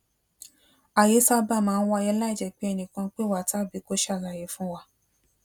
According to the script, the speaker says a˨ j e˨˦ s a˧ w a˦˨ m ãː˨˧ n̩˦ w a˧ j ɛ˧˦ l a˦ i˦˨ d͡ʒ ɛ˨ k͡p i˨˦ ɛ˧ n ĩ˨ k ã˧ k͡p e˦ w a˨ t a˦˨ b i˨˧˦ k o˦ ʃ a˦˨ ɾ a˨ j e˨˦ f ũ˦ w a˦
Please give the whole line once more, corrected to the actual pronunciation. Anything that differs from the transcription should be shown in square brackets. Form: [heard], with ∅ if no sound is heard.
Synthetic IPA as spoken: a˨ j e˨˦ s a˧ [b] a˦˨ m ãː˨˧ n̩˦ w a˧ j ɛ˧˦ l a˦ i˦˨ d͡ʒ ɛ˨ k͡p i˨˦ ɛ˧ n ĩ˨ k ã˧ k͡p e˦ w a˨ t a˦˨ b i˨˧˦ k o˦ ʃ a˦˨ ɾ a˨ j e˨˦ f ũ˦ w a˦

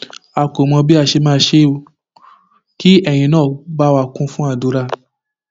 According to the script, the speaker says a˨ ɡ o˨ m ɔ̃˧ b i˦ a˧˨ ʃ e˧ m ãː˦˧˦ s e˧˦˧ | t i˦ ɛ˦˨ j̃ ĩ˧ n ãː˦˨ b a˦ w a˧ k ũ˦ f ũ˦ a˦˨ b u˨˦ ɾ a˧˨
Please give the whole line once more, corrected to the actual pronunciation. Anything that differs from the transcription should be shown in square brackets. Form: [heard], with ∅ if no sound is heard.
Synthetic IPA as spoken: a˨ [k] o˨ m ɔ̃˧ b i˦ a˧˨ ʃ e˧ m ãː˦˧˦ [ʃ] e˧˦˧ | [k] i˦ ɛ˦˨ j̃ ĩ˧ n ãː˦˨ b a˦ w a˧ k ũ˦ f ũ˦ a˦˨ [d] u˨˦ ɾ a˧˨

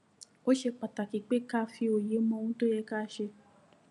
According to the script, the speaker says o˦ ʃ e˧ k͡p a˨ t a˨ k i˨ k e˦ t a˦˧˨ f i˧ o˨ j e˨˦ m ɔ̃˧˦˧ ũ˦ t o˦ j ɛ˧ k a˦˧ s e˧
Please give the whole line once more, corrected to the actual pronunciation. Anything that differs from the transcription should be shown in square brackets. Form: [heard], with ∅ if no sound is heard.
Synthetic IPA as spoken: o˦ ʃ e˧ k͡p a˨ t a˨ k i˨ [k͡p] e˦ [k] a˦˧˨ f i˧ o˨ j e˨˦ m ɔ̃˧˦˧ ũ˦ t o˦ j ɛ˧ k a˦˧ [ʃ] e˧

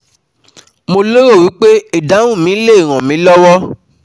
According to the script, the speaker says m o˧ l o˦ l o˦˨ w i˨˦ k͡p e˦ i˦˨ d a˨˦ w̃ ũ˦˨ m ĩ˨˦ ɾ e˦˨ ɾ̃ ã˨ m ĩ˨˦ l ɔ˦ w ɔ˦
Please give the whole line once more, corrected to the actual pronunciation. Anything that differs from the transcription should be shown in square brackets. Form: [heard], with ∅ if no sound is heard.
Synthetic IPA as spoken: m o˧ l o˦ [ɾ] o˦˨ w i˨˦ k͡p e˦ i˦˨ d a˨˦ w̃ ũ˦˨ m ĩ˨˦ [l] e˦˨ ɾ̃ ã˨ m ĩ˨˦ l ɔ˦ w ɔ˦

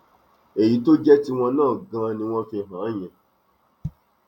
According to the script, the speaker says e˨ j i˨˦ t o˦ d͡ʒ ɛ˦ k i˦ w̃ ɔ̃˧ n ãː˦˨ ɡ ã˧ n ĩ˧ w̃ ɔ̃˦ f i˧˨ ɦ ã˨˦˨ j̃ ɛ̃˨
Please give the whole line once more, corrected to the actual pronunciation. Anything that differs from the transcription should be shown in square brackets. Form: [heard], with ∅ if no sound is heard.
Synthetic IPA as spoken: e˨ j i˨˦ t o˦ d͡ʒ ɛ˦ [t] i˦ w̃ ɔ̃˧ n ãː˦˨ ɡ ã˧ n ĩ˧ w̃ ɔ̃˦ f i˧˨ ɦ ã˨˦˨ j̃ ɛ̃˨

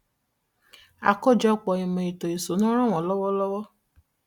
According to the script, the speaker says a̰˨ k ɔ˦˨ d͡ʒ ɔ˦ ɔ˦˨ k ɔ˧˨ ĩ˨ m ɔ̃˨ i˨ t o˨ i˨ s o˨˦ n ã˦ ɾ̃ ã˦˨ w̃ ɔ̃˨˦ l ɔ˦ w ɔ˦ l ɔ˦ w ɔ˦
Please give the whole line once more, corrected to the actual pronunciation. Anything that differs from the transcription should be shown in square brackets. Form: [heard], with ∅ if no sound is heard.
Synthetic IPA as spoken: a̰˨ k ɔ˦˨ d͡ʒ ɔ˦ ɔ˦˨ [k͡p] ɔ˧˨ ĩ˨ m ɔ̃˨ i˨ t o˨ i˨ s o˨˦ n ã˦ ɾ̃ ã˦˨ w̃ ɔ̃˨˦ l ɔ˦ w ɔ˦ l ɔ˦ w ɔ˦

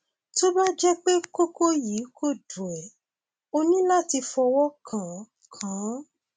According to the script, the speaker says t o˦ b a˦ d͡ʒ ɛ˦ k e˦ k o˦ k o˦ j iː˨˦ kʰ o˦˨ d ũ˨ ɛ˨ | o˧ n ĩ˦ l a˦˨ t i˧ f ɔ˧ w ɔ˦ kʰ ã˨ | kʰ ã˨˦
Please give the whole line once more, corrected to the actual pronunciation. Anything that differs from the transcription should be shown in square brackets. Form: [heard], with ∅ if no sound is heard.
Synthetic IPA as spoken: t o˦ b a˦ d͡ʒ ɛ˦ [k͡p] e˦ k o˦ k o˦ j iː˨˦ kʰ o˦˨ d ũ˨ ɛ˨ | o˧ n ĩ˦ l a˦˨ t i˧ f ɔ˧ w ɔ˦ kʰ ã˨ | kʰ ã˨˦

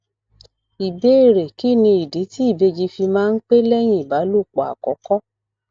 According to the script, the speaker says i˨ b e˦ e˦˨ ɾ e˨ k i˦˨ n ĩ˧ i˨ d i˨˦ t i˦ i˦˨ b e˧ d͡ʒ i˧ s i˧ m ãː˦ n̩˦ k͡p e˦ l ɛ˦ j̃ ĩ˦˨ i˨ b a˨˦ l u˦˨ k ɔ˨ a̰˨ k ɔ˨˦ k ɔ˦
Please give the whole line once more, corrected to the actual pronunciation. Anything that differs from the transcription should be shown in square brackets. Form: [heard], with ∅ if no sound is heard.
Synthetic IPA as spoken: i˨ b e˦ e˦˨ ɾ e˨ k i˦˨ n ĩ˧ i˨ d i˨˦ t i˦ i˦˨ b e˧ d͡ʒ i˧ [f] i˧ m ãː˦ n̩˦ k͡p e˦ l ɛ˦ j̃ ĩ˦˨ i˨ b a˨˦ l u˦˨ [k͡p] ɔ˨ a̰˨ k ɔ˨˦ k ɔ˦

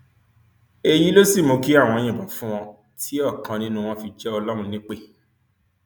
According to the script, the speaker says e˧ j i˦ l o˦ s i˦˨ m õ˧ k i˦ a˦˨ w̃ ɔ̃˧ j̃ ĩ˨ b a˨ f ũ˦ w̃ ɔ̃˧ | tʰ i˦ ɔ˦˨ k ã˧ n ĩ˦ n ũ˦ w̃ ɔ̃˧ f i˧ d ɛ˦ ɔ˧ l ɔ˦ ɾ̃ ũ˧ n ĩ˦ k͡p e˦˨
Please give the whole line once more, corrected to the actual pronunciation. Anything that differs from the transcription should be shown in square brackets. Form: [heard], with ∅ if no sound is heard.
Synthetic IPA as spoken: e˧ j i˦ l o˦ s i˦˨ m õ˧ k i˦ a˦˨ w̃ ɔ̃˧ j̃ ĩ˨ b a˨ f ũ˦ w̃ ɔ̃˧ | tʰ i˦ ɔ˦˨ k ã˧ n ĩ˦ n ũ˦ w̃ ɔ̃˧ f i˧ [d͡ʒ] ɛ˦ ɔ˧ l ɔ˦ ɾ̃ ũ˧ n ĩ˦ k͡p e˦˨

